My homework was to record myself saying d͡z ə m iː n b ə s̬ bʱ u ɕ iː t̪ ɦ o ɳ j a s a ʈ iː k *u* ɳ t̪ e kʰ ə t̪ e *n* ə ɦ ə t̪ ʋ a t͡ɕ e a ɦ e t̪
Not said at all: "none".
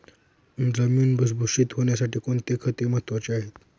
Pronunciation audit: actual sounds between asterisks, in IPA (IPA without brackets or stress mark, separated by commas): o, m